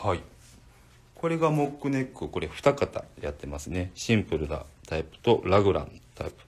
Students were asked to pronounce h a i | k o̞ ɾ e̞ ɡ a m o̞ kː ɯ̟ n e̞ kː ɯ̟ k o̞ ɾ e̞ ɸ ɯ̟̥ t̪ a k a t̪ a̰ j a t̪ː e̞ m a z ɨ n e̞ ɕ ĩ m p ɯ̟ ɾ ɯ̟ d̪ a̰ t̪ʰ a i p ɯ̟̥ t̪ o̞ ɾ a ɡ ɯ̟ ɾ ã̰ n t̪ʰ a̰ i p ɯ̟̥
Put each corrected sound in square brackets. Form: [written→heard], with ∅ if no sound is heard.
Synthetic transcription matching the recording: h a i | k o̞ ɾ e̞ ɡ a m o̞ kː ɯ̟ n e̞ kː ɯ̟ k o̞ ɾ e̞ ɸ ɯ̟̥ t̪ a k a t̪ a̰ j a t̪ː e̞ m a [z→s] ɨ n e̞ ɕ ĩ m p ɯ̟ ɾ ɯ̟ d̪ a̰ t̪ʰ a i p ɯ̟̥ t̪ o̞ ɾ a ɡ ɯ̟ ɾ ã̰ n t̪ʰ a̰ i p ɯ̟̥